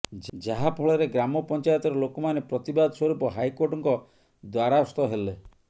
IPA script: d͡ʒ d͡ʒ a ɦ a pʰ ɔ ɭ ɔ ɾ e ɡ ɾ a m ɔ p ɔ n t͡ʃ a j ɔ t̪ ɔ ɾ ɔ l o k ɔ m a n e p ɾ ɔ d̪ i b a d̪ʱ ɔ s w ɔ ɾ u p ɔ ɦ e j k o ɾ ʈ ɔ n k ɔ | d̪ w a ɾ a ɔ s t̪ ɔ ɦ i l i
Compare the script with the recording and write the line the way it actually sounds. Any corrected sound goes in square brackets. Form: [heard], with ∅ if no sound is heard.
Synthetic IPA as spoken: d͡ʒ d͡ʒ a ɦ a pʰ ɔ ɭ ɔ ɾ e ɡ ɾ a m ɔ p ɔ n t͡ʃ a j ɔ t̪ ɔ ɾ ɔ l o k ɔ m a n e p ɾ ɔ [t̪] i b a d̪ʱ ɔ s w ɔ ɾ u p ɔ ɦ [a] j k o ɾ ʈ ɔ [ŋ] k ɔ | d̪ w a ɾ a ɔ s t̪ ɔ ɦ [e] l [e]